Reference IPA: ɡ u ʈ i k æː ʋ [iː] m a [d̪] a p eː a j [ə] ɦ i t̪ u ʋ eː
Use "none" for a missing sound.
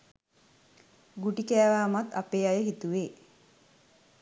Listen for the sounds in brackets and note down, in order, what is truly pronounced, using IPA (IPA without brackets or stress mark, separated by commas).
aː, t̪, ə